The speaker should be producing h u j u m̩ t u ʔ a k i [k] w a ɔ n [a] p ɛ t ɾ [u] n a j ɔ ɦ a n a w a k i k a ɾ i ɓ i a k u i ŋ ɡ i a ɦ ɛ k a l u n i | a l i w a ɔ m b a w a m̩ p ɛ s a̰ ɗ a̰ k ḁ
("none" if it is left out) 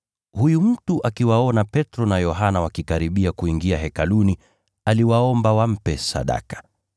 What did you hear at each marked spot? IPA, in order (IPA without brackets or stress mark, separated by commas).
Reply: none, a, ɔ